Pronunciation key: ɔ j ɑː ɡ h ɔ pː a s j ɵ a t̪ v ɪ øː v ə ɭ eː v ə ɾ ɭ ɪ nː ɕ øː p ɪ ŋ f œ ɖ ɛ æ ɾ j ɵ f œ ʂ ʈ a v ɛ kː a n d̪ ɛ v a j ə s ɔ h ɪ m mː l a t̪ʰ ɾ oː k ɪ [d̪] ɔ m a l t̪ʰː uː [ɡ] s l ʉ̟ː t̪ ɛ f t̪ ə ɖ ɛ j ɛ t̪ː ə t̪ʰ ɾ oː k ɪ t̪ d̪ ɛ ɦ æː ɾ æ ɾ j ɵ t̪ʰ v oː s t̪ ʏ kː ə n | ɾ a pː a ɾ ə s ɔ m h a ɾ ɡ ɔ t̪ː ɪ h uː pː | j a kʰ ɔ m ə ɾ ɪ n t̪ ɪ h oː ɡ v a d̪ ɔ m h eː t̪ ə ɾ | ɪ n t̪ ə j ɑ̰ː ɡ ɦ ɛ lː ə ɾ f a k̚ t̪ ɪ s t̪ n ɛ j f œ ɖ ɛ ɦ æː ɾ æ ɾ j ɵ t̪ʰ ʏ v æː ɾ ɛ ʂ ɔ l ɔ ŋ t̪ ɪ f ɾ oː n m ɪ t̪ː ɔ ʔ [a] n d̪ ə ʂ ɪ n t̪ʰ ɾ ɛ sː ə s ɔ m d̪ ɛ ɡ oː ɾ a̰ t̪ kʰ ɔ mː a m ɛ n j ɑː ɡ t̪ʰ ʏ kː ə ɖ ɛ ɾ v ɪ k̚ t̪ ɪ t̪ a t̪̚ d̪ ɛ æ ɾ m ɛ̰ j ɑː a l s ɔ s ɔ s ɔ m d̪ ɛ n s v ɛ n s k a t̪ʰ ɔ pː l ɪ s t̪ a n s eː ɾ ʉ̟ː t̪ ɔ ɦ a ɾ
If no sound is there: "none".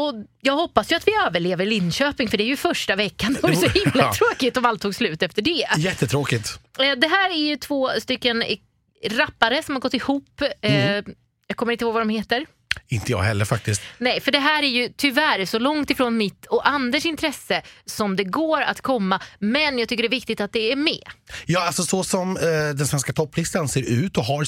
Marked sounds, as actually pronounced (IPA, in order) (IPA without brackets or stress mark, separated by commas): t̪, ɡ, a